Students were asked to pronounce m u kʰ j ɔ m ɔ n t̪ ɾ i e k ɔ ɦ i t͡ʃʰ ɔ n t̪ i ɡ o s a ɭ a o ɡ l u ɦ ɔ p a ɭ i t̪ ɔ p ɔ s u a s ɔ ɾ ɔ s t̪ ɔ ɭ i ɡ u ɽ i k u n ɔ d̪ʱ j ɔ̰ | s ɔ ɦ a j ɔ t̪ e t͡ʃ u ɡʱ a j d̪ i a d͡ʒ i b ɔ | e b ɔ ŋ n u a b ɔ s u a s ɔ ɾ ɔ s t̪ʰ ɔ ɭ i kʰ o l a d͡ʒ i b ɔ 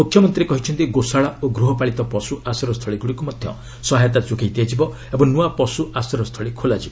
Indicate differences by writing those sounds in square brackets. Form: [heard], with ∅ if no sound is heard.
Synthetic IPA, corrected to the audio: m u kʰ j ɔ m ɔ n t̪ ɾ i e k ɔ ɦ i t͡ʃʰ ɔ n t̪ i ɡ o s a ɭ a o ɡ [ɾ] u ɦ ɔ p a ɭ i t̪ ɔ p ɔ s u a s ɔ ɾ ɔ s [t̪ʰ] ɔ ɭ i ɡ u ɽ i k u [m] ɔ d̪ʱ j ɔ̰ | s ɔ ɦ a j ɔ t̪ [a] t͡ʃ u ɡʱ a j [t̪] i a d͡ʒ i b ɔ | e b ɔ ŋ n u a [p] ɔ s u a s ɔ ɾ ɔ s t̪ʰ ɔ ɭ i kʰ o l a d͡ʒ i b ɔ